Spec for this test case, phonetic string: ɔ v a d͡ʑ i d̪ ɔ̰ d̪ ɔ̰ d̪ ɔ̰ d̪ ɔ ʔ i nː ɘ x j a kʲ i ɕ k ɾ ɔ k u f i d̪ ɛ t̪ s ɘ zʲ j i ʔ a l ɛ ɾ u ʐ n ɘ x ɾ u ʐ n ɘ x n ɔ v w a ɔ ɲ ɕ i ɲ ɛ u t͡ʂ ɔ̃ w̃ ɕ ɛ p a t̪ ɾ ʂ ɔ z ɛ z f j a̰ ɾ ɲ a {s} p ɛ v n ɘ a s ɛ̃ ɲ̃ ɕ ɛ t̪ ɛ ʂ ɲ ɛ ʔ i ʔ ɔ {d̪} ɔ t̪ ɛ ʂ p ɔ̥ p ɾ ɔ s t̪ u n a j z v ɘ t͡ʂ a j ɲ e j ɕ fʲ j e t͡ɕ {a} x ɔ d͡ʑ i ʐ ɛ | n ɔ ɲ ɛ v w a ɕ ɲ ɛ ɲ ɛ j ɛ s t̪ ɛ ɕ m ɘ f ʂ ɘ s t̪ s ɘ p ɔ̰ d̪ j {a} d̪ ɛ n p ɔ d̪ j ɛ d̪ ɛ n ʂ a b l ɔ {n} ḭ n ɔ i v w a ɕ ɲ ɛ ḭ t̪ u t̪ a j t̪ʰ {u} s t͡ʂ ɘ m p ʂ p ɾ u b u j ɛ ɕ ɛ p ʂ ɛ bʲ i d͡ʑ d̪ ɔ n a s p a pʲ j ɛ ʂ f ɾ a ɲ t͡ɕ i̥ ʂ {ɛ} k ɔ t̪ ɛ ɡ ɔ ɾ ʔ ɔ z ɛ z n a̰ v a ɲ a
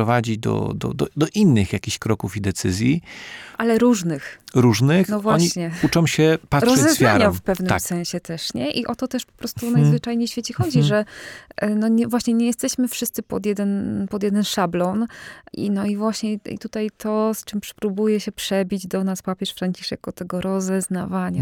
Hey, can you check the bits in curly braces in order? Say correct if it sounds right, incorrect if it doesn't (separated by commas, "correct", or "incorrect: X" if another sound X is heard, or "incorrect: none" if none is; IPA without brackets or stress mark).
incorrect: f, incorrect: t̪, incorrect: ɛ, incorrect: ɛ, correct, incorrect: ɔ, correct